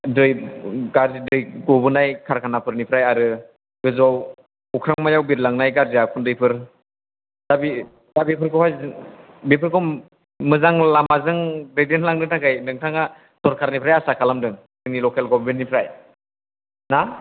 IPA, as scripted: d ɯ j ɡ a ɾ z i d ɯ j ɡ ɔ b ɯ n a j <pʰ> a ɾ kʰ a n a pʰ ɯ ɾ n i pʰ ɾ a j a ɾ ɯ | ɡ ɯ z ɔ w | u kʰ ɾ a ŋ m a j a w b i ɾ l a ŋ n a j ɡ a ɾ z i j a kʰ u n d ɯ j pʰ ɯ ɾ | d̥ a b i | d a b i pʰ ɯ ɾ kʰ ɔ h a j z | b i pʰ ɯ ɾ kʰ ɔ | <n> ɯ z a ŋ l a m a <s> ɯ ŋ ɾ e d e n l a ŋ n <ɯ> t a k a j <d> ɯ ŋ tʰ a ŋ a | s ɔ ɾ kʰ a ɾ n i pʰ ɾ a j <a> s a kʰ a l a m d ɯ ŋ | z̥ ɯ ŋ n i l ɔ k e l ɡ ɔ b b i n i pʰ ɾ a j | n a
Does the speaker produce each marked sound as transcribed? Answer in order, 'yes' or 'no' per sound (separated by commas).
no, no, no, yes, no, yes